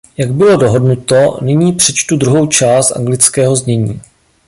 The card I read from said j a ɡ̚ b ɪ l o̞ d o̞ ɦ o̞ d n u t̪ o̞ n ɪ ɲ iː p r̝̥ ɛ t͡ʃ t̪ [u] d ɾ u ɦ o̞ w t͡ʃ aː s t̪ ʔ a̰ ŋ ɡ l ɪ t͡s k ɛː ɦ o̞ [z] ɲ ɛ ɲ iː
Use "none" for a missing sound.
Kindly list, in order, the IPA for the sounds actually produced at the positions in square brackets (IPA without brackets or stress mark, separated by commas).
u, z